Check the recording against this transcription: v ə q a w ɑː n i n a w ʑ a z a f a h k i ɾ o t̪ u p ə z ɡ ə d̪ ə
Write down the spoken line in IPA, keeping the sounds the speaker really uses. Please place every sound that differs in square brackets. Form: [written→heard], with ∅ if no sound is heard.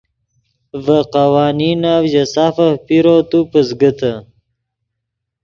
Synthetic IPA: v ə q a w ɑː n i n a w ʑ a [z→s] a f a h [k→p] i ɾ o t̪ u p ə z ɡ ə [d̪→t̪] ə